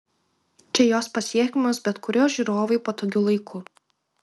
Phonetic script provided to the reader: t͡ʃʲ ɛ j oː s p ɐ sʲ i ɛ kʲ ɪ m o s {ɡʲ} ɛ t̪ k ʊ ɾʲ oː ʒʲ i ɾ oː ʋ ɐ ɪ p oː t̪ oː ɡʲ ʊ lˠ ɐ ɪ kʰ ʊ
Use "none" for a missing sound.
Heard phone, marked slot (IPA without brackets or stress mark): bʲ